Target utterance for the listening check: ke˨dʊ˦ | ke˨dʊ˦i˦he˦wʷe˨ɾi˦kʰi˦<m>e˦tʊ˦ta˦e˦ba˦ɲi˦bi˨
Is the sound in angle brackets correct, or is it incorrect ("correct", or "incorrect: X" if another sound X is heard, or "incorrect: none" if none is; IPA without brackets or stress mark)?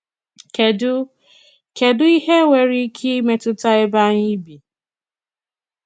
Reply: correct